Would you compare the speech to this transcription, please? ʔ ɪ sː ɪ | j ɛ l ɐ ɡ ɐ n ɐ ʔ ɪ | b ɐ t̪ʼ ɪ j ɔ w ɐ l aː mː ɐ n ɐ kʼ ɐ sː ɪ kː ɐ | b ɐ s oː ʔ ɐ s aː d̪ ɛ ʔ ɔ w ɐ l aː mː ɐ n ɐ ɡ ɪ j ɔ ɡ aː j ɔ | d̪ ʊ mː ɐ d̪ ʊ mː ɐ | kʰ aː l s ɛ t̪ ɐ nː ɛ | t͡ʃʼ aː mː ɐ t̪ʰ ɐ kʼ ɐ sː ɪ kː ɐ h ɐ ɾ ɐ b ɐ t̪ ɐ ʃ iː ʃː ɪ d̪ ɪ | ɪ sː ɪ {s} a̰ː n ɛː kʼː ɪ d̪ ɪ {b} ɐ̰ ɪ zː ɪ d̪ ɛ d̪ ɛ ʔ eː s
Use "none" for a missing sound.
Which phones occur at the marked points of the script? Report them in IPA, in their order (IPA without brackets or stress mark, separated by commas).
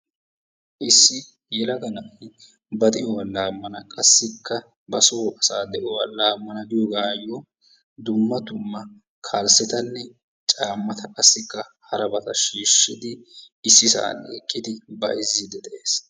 s, b